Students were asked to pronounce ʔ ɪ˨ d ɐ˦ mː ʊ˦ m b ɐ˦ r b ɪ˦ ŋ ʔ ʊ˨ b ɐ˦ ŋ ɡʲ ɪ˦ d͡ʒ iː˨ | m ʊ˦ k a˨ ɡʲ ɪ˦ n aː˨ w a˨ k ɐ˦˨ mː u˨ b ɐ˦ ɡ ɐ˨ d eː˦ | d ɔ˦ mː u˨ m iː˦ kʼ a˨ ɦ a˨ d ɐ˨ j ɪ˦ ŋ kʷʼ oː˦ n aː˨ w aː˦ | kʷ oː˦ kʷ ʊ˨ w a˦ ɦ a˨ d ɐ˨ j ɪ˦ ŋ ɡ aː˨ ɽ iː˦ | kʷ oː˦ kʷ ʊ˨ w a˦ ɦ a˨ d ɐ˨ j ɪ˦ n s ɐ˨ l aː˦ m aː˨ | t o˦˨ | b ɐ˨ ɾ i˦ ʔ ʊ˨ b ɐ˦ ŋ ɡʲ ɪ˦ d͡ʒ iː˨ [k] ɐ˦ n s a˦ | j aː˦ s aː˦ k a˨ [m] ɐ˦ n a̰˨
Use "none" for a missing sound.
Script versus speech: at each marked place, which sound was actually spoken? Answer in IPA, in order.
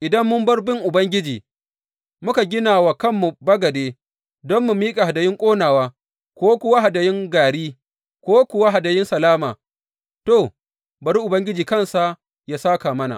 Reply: k, m

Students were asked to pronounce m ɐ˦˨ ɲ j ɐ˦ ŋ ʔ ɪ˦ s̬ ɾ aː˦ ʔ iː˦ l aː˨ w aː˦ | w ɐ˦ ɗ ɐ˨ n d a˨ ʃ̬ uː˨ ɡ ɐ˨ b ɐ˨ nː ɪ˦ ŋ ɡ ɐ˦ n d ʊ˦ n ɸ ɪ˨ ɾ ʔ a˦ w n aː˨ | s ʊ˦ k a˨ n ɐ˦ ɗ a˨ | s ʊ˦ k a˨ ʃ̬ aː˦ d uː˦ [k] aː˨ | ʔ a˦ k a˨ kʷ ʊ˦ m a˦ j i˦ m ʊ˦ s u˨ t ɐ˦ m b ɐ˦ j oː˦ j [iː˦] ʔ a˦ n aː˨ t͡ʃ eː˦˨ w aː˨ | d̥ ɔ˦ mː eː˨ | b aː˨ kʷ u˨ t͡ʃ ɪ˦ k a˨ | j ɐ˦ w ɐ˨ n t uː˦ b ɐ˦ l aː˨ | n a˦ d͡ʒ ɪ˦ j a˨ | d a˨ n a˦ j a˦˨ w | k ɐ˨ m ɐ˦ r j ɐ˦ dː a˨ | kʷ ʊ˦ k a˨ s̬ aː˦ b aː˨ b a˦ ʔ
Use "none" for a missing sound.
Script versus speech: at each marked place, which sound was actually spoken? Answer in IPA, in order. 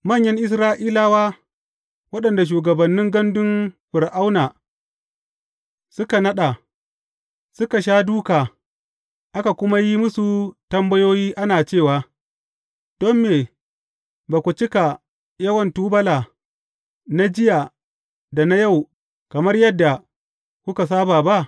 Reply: k, iː˦

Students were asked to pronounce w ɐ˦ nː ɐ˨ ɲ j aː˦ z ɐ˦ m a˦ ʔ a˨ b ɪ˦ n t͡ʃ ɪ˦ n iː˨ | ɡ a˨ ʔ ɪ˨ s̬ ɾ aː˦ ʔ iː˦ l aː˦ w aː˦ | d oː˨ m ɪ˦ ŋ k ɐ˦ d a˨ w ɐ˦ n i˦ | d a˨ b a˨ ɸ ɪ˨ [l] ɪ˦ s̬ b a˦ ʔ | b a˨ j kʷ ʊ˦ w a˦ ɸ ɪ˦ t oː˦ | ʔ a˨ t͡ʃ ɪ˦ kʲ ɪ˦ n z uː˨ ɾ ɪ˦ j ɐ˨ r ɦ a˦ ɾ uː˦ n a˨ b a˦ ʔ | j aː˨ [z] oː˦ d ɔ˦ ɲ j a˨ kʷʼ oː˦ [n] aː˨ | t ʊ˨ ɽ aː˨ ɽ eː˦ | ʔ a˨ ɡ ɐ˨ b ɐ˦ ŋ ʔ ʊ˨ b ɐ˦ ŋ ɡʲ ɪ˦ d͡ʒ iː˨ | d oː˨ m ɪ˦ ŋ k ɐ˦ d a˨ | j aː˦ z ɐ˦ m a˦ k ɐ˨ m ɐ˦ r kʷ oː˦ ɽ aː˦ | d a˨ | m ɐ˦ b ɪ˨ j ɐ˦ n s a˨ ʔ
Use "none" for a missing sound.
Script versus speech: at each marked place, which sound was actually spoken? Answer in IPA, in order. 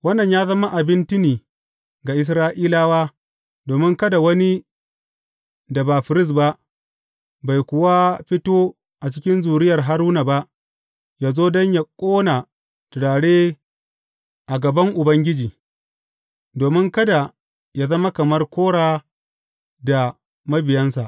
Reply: ɾ, z, n

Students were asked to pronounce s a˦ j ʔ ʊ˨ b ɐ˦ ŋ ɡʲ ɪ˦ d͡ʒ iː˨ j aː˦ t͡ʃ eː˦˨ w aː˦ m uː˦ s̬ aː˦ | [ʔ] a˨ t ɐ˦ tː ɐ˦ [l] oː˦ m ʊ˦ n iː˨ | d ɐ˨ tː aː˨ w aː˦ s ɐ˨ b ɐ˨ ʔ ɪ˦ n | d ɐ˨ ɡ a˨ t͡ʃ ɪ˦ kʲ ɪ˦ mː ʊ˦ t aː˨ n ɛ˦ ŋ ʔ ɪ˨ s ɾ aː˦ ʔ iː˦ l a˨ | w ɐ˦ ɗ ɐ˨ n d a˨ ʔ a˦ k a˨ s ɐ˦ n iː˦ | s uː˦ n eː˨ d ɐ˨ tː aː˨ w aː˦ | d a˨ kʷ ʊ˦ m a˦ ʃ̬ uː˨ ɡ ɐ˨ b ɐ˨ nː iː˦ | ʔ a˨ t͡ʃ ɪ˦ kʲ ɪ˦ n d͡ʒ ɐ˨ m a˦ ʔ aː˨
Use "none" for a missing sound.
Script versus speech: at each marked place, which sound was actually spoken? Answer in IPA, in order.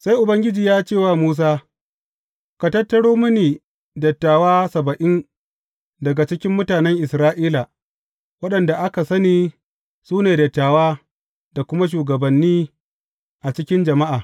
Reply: k, ɽ

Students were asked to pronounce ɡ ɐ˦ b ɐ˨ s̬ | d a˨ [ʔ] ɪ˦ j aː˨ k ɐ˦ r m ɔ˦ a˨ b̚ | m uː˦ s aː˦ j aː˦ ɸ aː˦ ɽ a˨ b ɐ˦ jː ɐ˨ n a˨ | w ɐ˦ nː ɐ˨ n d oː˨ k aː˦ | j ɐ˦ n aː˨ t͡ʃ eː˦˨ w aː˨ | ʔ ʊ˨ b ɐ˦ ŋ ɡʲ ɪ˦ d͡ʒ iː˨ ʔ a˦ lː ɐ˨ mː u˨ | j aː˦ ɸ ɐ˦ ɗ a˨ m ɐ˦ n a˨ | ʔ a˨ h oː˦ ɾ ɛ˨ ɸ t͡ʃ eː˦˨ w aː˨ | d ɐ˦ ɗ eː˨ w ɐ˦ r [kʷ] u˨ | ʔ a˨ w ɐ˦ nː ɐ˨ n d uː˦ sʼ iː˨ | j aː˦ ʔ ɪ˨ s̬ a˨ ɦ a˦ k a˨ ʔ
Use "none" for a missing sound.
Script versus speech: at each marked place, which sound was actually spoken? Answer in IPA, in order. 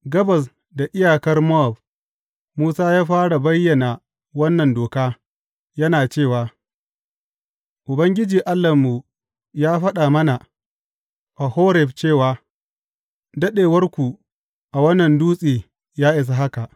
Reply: ʔ, kʷ

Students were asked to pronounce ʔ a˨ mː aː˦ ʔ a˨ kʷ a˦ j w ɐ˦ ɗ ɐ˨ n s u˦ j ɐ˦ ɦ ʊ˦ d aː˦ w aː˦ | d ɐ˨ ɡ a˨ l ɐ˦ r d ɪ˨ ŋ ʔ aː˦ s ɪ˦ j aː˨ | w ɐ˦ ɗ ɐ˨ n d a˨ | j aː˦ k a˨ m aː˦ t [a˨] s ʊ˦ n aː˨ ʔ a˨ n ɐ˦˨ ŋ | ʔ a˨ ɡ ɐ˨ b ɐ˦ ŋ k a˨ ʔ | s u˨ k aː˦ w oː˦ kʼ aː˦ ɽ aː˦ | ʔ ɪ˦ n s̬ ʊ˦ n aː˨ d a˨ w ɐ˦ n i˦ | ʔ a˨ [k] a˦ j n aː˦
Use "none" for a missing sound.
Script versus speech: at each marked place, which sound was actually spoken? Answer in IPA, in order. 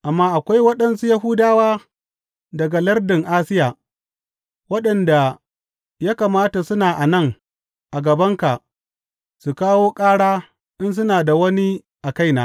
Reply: a˨, k

